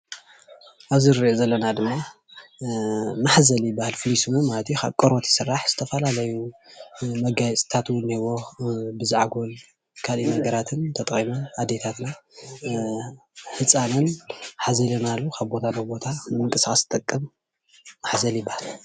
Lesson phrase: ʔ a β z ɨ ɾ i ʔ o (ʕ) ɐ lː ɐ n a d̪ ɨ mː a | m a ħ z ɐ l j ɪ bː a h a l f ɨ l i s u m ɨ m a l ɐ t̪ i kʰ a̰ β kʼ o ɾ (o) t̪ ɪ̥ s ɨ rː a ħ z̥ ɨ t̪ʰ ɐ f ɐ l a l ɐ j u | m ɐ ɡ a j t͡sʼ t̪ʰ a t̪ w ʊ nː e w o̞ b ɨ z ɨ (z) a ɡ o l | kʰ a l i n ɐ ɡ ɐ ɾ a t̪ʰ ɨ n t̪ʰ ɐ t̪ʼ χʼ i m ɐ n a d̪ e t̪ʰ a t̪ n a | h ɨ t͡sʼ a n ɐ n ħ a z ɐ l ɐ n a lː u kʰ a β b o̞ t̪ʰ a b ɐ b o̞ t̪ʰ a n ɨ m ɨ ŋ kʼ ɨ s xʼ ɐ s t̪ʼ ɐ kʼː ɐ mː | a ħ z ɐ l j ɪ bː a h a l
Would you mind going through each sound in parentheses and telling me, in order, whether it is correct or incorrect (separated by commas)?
incorrect, correct, incorrect